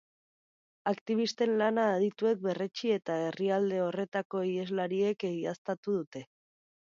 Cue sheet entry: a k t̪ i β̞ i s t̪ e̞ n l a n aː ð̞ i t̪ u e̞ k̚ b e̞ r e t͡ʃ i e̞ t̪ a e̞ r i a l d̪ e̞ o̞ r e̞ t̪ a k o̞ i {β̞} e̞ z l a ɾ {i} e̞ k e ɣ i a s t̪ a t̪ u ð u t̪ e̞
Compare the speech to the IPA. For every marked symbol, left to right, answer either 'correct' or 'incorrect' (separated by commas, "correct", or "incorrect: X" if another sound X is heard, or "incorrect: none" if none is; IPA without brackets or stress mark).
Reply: incorrect: none, correct